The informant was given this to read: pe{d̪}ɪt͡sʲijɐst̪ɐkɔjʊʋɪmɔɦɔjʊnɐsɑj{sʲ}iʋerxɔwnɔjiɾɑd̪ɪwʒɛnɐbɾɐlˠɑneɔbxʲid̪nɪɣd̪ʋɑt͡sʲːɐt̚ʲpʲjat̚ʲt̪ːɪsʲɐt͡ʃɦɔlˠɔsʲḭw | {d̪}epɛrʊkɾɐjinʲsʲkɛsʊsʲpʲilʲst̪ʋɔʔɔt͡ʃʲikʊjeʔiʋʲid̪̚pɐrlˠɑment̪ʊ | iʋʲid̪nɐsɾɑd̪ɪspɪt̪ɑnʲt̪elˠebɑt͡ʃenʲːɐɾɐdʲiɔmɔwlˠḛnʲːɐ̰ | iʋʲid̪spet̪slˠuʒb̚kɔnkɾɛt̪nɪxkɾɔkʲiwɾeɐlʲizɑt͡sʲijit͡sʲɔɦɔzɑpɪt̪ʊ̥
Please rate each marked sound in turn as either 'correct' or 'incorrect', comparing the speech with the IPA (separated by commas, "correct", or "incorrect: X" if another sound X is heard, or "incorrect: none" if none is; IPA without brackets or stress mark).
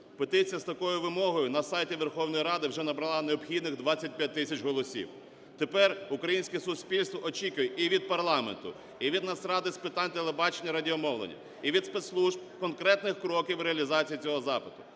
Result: incorrect: t̪, incorrect: tʲ, incorrect: t̪